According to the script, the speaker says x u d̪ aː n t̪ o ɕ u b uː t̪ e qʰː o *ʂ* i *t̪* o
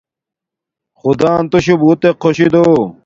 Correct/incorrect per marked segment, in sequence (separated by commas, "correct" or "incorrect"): incorrect, incorrect